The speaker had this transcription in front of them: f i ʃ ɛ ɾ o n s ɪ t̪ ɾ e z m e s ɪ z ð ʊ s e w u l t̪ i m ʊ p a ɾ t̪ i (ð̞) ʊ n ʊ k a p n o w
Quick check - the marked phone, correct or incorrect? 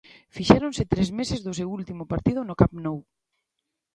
correct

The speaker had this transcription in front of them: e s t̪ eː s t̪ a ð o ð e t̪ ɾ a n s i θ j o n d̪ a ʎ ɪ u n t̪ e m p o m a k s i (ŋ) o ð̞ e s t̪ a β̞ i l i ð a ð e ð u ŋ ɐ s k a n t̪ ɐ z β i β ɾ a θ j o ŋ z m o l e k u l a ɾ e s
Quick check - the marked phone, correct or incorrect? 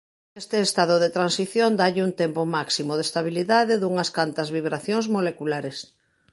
incorrect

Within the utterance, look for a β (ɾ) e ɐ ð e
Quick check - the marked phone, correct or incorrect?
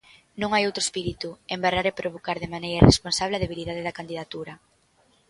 incorrect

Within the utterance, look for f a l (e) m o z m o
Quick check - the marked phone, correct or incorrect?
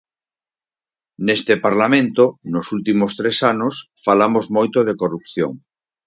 incorrect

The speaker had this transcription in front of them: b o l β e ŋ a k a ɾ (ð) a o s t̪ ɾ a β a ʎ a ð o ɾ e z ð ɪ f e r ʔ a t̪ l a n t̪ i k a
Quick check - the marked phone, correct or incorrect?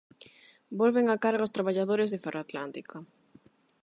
incorrect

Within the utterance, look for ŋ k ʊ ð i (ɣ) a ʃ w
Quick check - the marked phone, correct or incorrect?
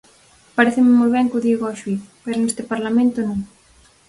correct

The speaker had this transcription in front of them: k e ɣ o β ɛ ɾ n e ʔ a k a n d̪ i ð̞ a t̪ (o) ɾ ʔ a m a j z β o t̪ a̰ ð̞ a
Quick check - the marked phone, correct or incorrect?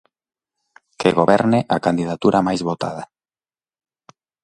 incorrect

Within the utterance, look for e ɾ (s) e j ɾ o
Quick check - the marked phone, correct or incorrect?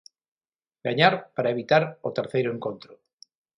incorrect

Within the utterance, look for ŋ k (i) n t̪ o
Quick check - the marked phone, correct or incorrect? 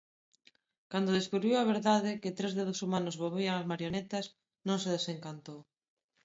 incorrect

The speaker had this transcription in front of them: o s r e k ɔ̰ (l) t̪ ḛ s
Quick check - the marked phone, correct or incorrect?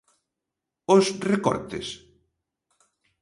incorrect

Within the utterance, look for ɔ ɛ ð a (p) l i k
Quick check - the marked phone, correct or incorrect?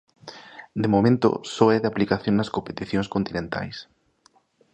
correct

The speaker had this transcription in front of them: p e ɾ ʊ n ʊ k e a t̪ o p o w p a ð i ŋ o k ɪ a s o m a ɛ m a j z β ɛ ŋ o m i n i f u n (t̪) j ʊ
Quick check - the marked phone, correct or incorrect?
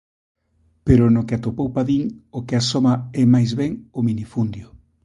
incorrect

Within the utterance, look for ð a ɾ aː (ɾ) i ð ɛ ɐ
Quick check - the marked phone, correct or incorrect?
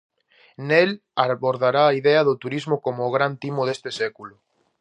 incorrect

